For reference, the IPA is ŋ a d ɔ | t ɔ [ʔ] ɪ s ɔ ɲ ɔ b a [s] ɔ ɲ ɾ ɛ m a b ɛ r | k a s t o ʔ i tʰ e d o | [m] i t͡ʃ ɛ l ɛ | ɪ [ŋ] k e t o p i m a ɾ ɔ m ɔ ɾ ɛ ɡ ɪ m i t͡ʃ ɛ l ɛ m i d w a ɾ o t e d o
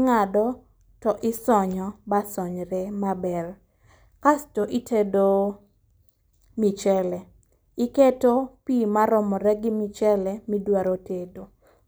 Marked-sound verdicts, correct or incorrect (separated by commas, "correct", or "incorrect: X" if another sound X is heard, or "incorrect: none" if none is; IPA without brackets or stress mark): correct, correct, correct, incorrect: none